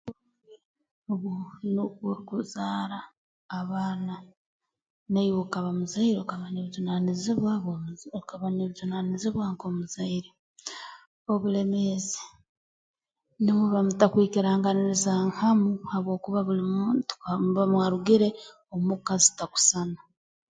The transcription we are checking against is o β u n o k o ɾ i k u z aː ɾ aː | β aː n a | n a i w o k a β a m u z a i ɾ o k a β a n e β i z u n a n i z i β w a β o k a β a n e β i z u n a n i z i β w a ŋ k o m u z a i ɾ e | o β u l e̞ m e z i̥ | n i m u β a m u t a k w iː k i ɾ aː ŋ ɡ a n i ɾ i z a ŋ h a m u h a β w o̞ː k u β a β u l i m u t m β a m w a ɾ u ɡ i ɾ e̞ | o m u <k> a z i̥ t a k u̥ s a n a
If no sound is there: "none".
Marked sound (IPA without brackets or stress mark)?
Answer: k